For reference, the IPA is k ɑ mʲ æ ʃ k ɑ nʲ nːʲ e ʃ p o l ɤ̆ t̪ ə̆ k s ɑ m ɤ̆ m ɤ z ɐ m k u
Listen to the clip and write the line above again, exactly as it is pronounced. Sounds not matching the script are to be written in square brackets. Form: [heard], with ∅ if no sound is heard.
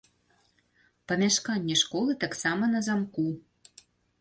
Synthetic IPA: [p] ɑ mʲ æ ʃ k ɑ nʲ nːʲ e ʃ [k] o l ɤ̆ t̪ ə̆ k s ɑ m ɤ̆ [n] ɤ z [ɑ] m k u